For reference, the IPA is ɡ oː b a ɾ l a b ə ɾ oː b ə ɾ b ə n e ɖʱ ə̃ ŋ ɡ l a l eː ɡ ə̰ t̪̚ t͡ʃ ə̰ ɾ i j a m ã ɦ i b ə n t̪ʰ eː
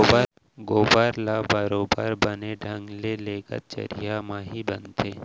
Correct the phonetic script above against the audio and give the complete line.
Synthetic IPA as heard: ɡ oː b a ɾ l a b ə ɾ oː b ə ɾ b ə n e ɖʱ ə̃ ŋ ɡ l e l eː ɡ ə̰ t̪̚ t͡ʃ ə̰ ɾ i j a m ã ɦ i b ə n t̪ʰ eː